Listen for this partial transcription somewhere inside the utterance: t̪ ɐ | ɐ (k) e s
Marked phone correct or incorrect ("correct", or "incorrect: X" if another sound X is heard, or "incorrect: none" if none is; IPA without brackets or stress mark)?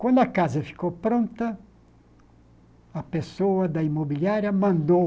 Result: incorrect: p